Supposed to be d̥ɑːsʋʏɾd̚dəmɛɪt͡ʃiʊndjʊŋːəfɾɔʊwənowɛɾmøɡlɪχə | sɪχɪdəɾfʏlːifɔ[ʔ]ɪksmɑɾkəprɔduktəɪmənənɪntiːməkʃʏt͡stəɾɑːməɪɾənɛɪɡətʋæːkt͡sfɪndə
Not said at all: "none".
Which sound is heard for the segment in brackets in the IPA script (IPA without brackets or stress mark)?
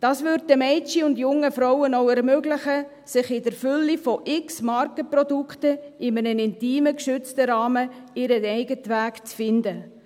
ʔ